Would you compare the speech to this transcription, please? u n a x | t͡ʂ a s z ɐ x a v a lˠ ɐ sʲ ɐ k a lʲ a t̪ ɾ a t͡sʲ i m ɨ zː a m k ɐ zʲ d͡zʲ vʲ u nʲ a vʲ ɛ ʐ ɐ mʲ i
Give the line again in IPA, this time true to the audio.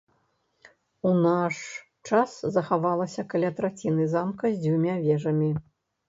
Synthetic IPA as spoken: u n a ʂ | t͡ʂ a s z ɐ x a v a lˠ ɐ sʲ ɐ k a lʲ a t̪ ɾ a t͡sʲ i n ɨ z a m k ɐ zʲ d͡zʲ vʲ u mʲ a vʲ ɛ ʐ ɐ mʲ i